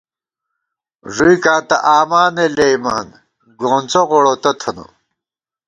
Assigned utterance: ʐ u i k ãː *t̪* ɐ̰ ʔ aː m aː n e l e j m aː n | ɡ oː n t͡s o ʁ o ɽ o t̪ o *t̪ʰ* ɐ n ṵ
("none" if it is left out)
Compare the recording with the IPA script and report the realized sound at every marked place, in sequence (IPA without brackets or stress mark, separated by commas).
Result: t̪, t̪ʰ